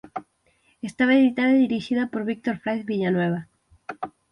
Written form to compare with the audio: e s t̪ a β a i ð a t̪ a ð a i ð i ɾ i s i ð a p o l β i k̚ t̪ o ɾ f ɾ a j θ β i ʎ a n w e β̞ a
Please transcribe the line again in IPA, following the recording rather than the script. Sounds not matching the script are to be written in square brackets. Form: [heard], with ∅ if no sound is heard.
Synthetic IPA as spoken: e s t̪ a β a [e] ð [i] t̪ a ð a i ð i ɾ i [ʃ] i ð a p o [ɾ] β i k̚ t̪ o ɾ f ɾ a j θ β i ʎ a n w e β̞ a